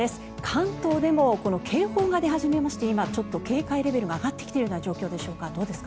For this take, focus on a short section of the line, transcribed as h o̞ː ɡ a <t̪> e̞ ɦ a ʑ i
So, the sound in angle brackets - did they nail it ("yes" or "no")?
no